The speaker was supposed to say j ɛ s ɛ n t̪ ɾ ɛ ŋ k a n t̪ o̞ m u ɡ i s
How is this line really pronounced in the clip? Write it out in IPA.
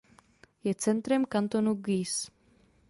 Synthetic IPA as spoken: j ɛ t͡s ɛ n t̪ ɾ ɛ m k a n t̪ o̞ n u ɡ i s